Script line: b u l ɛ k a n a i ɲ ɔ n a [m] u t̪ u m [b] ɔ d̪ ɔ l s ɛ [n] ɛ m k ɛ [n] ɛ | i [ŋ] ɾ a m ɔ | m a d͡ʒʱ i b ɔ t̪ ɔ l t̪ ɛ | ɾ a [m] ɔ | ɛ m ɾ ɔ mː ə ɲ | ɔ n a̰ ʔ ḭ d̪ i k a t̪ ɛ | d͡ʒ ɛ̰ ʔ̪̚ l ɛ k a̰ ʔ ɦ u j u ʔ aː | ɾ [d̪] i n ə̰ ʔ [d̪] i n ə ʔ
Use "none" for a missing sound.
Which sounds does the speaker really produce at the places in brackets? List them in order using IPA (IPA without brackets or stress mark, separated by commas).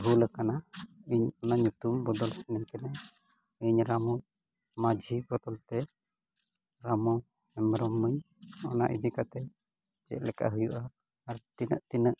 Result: ɲ, b, n, n, ɲ, m, t̪, t̪